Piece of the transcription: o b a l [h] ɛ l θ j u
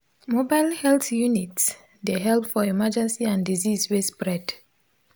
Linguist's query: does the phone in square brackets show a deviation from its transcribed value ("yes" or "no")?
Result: no